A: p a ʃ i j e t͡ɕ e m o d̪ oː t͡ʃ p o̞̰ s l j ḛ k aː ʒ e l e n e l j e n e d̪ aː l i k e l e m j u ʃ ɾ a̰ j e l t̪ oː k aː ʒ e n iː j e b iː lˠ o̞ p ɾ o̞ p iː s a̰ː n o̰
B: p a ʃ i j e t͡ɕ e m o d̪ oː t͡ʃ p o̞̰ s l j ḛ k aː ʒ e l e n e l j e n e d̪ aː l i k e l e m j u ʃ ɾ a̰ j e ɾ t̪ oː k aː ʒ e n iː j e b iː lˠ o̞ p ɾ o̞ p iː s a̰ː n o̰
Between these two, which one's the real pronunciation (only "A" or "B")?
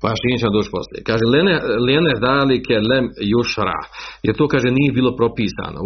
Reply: B